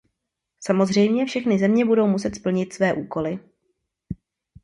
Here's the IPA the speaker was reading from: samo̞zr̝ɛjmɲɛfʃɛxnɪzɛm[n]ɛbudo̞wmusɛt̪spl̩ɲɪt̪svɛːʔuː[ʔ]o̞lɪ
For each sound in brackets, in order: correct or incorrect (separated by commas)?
incorrect, incorrect